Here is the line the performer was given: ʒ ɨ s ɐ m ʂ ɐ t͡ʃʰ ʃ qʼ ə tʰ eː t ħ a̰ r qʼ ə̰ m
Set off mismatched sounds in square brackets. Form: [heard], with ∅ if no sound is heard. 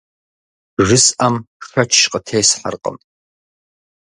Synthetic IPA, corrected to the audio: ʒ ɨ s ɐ m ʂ ɐ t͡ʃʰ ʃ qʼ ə tʰ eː [s] ħ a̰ r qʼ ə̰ m